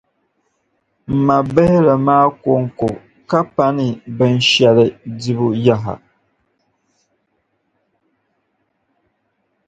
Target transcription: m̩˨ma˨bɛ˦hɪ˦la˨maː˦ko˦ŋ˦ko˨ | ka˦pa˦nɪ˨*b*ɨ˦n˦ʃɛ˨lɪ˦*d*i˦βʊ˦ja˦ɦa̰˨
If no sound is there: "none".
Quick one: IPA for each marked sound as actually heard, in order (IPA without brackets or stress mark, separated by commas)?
b, d